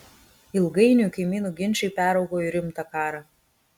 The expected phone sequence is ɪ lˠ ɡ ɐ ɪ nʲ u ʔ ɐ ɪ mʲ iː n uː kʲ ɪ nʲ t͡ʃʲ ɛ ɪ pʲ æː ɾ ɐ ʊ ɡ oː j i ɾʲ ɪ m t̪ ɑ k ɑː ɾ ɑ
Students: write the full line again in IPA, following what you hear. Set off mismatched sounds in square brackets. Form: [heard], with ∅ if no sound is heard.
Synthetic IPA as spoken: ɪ lˠ ɡ ɐ ɪ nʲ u [k] ɐ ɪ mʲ iː n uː [ɡʲ] ɪ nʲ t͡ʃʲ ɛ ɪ pʲ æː ɾ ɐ ʊ ɡ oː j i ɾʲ ɪ m t̪ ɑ k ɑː ɾ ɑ